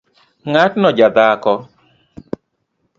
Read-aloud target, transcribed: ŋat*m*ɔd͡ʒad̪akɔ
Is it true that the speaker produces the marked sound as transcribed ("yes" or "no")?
no